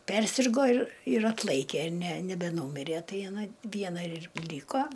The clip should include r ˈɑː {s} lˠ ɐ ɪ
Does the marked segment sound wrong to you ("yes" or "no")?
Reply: yes